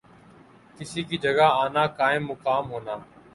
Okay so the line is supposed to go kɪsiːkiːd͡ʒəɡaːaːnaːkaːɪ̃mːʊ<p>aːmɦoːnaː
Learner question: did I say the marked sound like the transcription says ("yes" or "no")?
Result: no